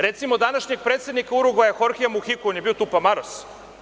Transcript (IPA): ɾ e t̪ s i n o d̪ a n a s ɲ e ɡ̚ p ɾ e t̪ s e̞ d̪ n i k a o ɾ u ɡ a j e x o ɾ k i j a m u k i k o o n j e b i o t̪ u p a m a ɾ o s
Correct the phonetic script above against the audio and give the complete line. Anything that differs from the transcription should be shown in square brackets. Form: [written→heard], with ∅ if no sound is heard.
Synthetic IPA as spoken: ɾ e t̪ s i [n→m] o d̪ a n a [s→ʃ] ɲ e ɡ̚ p ɾ e t̪ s e̞ d̪ n i k a [o→u] ɾ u ɡ a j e x o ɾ [k→x] i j a m u [k→x] i k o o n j e b i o t̪ u p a m a ɾ o s